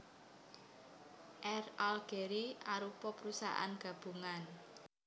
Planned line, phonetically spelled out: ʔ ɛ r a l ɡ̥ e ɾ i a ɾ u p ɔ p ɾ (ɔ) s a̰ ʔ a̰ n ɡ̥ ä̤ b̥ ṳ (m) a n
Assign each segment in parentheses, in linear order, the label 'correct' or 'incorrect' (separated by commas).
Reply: incorrect, incorrect